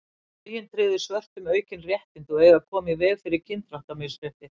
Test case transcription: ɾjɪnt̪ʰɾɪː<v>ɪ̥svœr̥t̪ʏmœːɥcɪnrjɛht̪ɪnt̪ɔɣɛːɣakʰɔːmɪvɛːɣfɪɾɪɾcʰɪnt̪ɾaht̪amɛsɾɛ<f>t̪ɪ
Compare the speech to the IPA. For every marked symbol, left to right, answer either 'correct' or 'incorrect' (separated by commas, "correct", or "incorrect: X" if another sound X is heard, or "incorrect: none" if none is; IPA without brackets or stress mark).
incorrect: ð, incorrect: h